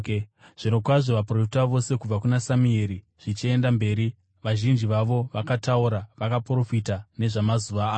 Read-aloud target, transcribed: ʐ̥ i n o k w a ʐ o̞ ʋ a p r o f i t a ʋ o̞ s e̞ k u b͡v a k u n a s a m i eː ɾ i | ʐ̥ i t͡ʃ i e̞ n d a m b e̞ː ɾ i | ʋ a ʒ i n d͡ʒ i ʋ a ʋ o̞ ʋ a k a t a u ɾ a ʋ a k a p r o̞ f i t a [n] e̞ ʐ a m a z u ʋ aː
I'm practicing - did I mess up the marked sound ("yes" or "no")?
no